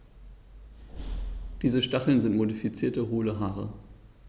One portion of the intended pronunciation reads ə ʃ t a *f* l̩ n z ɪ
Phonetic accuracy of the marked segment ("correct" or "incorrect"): incorrect